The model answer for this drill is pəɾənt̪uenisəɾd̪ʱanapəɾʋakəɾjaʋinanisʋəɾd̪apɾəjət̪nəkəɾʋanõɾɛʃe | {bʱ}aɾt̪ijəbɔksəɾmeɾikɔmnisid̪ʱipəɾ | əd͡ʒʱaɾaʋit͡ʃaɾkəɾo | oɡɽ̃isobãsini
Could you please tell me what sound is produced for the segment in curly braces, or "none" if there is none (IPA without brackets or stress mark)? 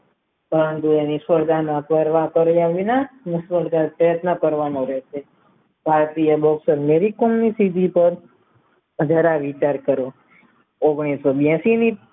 bʱ